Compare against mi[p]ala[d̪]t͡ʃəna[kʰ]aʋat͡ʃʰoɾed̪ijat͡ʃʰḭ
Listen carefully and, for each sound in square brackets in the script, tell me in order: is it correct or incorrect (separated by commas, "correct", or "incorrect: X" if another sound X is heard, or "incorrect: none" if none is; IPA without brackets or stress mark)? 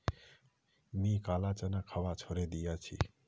incorrect: k, incorrect: none, correct